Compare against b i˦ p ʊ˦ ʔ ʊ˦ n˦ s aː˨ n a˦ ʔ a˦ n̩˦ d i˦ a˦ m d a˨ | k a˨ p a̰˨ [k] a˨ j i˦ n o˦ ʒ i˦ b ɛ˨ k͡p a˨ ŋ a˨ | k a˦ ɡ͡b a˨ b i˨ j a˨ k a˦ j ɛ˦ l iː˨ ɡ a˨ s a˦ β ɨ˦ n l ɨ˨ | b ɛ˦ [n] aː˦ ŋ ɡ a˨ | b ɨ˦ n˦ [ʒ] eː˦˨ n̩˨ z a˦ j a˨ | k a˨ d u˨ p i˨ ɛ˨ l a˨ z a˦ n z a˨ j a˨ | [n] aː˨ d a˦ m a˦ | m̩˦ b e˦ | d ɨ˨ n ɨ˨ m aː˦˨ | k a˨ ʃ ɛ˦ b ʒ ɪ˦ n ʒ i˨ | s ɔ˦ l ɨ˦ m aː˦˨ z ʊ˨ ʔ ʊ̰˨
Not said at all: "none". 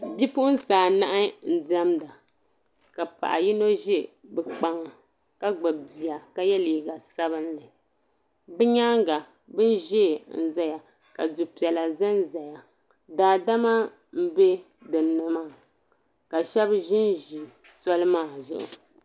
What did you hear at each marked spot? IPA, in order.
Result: ʔ, ɲ, ʒ, d

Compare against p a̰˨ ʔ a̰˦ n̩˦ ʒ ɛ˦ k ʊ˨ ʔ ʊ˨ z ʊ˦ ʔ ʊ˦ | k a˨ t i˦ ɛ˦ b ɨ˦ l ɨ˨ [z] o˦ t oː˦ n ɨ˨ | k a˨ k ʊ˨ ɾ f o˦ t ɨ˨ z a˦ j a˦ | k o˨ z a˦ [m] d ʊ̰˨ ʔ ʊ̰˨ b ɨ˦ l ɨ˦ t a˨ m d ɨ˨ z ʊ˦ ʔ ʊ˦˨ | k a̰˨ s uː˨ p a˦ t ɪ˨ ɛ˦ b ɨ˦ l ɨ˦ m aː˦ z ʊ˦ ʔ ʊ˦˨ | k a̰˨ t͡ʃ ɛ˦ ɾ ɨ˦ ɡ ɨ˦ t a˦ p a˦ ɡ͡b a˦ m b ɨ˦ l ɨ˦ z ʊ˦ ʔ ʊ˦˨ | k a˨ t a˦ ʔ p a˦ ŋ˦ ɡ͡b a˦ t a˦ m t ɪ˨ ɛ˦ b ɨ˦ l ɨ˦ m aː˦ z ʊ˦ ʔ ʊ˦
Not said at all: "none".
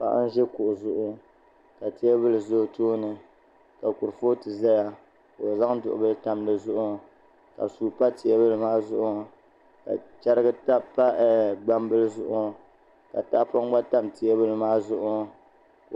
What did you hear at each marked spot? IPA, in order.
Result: z, ŋ

